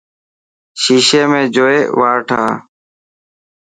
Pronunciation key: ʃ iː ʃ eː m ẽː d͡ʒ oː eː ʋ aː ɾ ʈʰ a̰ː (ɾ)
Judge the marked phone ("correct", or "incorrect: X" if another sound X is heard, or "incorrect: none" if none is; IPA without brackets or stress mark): incorrect: none